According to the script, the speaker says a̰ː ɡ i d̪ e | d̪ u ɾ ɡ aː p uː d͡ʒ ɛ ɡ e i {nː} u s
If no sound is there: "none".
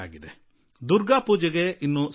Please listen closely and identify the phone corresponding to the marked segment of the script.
nː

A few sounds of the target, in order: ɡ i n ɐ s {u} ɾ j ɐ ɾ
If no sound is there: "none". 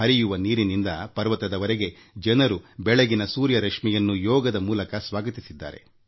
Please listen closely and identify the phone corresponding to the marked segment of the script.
uː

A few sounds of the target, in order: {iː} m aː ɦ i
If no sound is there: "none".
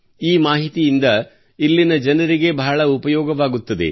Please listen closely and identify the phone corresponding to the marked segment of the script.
iː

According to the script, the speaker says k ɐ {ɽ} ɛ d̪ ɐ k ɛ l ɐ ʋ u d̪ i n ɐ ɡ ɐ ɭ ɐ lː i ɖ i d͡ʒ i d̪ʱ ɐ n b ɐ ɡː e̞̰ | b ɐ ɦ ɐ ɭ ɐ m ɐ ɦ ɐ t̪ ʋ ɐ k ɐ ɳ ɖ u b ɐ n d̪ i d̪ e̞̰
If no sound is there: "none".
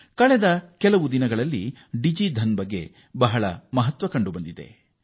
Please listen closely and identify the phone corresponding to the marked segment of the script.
ɭ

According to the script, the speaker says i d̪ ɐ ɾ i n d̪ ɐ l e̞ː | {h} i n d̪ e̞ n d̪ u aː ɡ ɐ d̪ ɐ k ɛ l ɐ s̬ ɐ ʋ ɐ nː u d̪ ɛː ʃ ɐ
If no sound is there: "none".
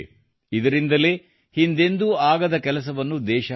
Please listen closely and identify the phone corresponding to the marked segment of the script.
h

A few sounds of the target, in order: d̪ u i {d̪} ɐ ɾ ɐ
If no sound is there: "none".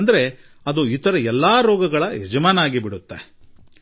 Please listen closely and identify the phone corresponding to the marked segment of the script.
t̪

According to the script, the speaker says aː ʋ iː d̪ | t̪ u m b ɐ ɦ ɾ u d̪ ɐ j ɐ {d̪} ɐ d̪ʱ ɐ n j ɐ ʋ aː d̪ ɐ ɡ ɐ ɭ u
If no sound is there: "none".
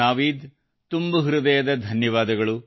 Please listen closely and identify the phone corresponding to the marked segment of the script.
d̪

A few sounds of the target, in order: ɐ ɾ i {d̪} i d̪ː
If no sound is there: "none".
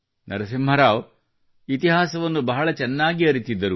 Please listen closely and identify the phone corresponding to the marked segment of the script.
t̪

